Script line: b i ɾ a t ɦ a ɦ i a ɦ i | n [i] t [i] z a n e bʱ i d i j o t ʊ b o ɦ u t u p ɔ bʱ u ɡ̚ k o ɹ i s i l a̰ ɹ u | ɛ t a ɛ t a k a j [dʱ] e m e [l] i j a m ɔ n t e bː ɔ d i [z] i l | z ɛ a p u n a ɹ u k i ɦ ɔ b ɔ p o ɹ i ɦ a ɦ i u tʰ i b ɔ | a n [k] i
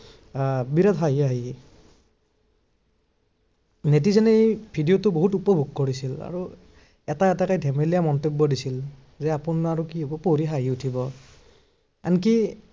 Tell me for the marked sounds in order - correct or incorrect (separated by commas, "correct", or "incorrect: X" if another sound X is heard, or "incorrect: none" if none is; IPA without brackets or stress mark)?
incorrect: e, correct, correct, correct, incorrect: s, correct